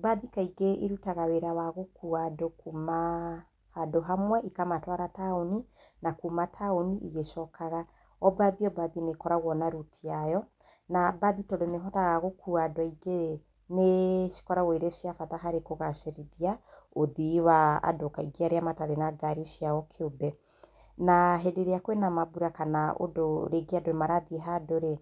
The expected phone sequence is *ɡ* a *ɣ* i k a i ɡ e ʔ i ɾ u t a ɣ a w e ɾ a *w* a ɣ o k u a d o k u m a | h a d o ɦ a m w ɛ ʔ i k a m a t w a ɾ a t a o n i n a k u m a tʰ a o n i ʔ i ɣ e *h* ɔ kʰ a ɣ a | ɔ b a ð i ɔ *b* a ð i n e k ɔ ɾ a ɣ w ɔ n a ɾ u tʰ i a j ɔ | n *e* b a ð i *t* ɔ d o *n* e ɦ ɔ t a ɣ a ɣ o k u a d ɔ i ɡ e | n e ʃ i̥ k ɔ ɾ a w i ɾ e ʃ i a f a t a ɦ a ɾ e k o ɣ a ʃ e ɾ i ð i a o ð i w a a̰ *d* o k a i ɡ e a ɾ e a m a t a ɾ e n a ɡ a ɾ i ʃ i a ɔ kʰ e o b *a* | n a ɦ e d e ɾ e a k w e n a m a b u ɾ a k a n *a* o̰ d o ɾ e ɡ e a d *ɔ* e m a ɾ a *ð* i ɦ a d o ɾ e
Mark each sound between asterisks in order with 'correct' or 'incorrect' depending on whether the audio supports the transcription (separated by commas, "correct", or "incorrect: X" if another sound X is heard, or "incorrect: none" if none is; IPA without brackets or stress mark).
incorrect: b, incorrect: ð, correct, incorrect: ʃ, correct, incorrect: a, correct, correct, correct, incorrect: ɛ, correct, incorrect: o, correct